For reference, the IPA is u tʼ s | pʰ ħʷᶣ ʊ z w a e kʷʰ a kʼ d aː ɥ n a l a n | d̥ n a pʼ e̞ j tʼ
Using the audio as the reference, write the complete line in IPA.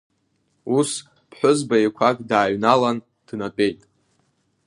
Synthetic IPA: u s | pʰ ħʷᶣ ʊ z b a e kʷʰ a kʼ d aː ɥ n a l a n | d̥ n a pʼ e̞ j tʼ